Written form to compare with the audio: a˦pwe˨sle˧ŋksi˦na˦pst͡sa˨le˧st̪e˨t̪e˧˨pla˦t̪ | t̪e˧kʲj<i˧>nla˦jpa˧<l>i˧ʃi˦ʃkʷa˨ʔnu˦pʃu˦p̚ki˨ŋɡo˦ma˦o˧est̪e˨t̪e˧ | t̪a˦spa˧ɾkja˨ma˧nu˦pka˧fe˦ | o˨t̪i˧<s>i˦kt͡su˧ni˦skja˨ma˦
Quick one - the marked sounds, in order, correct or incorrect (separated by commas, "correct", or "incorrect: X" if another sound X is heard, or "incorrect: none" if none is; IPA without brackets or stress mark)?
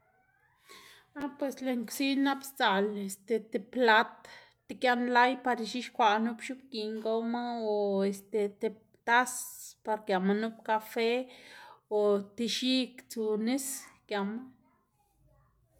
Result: incorrect: a˧, incorrect: ɾ, incorrect: ʃ